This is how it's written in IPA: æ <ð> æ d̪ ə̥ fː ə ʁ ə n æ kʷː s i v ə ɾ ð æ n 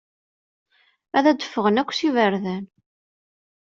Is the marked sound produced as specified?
yes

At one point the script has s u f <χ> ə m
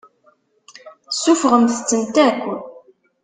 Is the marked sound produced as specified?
no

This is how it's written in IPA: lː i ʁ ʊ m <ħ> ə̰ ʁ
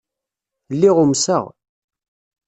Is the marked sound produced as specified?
no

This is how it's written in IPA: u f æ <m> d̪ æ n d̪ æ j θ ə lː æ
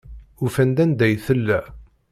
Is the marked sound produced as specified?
no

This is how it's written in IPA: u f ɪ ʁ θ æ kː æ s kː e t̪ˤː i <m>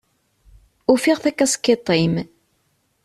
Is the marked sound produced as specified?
yes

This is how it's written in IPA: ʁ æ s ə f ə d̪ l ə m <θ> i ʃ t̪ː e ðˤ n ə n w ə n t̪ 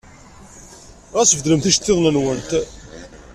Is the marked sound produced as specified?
yes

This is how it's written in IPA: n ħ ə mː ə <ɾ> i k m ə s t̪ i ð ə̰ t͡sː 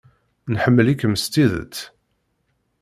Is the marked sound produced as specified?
no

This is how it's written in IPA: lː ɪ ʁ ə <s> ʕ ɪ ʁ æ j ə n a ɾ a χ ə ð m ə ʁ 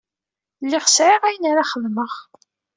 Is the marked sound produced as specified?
yes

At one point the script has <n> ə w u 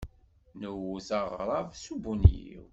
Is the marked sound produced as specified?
yes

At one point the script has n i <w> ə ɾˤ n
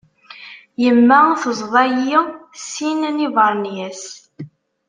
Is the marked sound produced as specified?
no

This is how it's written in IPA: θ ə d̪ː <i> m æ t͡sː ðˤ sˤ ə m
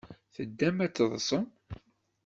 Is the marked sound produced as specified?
no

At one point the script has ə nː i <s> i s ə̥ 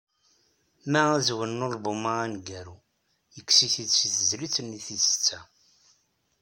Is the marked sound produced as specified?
no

